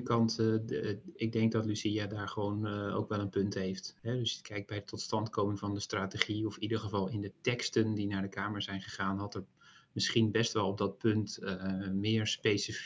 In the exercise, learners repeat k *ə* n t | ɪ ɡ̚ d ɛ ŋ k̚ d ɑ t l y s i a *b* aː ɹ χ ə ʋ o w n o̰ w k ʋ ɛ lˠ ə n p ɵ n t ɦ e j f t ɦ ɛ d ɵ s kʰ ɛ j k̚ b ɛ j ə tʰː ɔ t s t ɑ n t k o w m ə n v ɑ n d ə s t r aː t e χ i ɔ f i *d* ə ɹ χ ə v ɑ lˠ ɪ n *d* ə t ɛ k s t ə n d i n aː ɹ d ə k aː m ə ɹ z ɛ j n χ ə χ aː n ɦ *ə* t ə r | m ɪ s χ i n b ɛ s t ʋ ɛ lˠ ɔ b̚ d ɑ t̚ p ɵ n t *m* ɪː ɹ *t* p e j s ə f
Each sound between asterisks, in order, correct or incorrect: incorrect, incorrect, correct, correct, incorrect, correct, incorrect

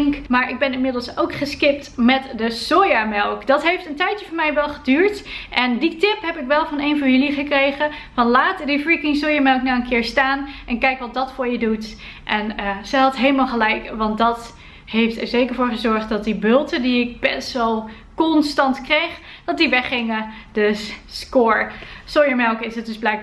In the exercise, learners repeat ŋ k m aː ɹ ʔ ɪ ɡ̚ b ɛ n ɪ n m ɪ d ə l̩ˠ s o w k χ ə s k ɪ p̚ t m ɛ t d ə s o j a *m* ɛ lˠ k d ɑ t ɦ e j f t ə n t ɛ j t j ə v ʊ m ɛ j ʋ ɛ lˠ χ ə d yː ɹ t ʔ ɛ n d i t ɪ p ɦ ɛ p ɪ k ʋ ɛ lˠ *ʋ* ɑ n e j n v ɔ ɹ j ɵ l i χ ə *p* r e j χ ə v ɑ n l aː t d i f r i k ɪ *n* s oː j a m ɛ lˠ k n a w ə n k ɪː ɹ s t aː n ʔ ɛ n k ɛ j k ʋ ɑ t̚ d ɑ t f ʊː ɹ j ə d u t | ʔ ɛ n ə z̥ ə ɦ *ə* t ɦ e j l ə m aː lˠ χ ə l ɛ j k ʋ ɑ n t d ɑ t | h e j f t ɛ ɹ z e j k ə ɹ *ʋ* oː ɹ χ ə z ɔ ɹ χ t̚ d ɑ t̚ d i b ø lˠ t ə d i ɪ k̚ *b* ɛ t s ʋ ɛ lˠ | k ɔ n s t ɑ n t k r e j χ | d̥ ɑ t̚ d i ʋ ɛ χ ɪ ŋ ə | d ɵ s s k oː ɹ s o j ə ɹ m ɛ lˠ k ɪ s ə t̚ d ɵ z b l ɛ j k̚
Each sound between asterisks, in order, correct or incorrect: correct, incorrect, incorrect, incorrect, incorrect, incorrect, correct

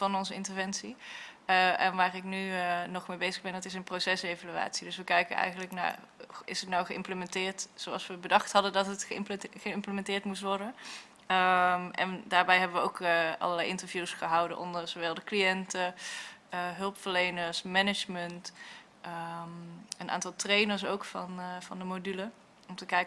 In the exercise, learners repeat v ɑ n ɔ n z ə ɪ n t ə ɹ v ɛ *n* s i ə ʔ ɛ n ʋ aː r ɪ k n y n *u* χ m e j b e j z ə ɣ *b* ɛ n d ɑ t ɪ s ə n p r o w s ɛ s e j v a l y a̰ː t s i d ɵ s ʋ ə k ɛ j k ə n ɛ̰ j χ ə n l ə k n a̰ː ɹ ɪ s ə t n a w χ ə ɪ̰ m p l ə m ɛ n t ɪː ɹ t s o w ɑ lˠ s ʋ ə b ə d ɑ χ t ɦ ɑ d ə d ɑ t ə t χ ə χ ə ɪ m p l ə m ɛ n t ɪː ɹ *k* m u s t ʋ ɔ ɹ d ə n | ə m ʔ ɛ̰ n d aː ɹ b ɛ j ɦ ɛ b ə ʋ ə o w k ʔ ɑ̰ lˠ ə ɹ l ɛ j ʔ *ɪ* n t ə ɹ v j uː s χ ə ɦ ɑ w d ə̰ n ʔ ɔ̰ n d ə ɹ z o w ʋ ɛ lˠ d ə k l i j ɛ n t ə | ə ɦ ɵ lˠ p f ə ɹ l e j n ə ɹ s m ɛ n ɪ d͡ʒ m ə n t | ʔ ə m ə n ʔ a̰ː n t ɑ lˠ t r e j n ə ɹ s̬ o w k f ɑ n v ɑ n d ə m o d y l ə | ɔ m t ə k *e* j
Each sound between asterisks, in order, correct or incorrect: correct, incorrect, correct, incorrect, correct, incorrect

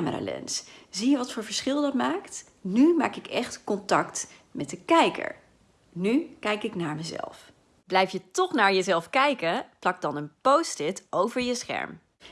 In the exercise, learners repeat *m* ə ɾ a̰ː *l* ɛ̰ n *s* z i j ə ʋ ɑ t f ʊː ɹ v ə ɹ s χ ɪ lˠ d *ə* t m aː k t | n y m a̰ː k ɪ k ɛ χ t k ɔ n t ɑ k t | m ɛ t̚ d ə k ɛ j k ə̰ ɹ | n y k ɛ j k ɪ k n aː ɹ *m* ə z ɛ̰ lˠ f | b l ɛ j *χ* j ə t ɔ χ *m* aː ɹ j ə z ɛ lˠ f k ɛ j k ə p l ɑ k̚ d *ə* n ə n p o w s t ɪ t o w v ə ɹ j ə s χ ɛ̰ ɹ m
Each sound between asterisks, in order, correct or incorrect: correct, correct, correct, incorrect, correct, incorrect, incorrect, incorrect

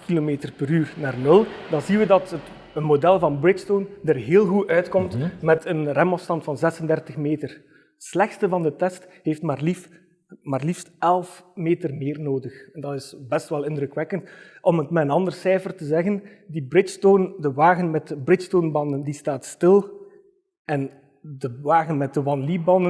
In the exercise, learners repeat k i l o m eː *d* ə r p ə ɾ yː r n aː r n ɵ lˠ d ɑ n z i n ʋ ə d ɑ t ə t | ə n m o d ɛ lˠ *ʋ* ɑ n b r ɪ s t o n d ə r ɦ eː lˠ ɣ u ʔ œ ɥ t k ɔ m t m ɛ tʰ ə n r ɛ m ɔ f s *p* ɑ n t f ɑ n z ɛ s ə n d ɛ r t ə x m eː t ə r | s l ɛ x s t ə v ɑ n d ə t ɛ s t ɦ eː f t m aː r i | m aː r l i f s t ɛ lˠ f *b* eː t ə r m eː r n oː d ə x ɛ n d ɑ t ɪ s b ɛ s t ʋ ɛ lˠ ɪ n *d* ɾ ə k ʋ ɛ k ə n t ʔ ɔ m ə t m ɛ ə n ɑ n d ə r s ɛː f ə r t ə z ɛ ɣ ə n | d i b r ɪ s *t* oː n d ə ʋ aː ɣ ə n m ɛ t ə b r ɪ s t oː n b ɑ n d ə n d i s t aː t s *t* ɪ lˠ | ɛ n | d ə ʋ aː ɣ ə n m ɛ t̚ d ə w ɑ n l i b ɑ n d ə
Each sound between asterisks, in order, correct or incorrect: incorrect, incorrect, incorrect, incorrect, correct, correct, correct

